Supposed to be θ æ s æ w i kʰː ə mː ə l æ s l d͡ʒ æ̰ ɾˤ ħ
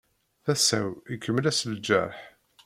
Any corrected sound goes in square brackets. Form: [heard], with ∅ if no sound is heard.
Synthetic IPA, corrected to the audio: θ æ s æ w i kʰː ə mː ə l æ s l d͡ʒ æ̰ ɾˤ ħ